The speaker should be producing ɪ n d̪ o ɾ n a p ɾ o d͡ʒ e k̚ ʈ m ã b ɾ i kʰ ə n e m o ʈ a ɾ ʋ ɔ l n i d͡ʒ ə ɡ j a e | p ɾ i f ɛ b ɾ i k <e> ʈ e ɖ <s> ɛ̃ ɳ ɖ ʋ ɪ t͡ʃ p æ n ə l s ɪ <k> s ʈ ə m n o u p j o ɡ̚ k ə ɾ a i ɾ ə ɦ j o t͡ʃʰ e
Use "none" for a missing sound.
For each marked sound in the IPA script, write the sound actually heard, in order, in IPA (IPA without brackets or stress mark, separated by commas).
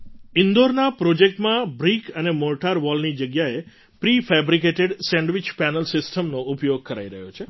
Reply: e, s, none